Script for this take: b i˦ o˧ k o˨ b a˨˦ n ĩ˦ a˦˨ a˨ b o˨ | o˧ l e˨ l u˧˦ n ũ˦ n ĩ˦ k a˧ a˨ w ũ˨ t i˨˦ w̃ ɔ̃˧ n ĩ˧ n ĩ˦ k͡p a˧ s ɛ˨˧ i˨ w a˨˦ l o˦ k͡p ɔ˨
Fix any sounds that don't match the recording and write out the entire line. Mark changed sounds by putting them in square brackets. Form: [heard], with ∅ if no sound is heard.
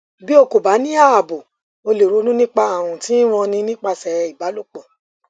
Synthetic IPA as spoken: b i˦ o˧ k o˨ b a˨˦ n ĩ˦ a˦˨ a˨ b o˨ | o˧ l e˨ [ɾ] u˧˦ n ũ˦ n ĩ˦ [k͡p] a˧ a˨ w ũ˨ t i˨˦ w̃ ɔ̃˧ n ĩ˧ n ĩ˦ k͡p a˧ s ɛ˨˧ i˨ [b] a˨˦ l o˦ k͡p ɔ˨